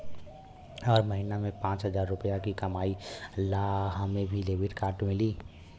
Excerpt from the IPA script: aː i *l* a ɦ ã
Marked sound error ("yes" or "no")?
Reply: no